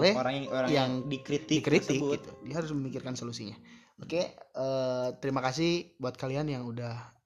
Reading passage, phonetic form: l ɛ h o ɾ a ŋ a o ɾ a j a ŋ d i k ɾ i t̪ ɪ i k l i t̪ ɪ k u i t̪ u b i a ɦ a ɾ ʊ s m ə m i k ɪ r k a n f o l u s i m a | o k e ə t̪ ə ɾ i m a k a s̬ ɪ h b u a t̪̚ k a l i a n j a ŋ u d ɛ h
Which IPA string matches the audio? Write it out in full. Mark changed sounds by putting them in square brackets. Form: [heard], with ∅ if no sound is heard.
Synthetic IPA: l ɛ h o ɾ a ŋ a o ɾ a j a ŋ d i k ɾ i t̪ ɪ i k [ɾ] i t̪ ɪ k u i t̪ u [d] i a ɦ a ɾ ʊ s m ə m i k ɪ r k a n [s] o l u s i [ɲ] a | o k e ə t̪ ə ɾ i m a k a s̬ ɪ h b u a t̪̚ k a l i a n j a ŋ u d [a] h